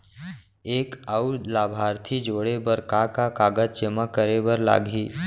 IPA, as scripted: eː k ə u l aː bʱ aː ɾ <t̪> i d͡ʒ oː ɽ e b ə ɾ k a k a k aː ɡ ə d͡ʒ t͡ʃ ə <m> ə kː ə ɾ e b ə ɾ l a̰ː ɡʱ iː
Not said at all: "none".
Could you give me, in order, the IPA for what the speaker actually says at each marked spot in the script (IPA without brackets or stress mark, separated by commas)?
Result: t̪ʰ, m